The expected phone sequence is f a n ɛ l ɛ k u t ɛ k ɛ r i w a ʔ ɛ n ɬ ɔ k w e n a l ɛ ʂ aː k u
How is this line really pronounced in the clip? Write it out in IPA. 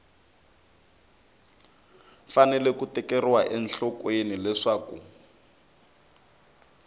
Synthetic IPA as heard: f a n ɛ l ɛ k u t ɛ k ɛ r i w a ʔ ɛ n ɬ ɔ k w e n i l ɛ ʂ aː k u